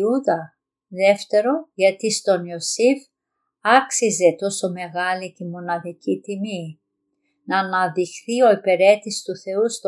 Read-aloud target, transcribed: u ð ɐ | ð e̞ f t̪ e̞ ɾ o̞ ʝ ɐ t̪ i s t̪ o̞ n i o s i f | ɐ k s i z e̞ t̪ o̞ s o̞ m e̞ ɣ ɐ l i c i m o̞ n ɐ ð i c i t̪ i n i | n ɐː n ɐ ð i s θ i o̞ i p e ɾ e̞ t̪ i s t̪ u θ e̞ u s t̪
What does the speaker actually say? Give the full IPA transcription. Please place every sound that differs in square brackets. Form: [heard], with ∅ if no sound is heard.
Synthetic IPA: u ð ɐ | ð e̞ f t̪ e̞ ɾ o̞ ʝ ɐ t̪ i s t̪ o̞ n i o s i f | ɐ k s i z e̞ t̪ o̞ s o̞ m e̞ ɣ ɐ l i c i m o̞ n ɐ ð i c i t̪ i [m] i | n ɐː n ɐ ð i [x] θ i o̞ i p e ɾ e̞ t̪ i s t̪ u θ e̞ u s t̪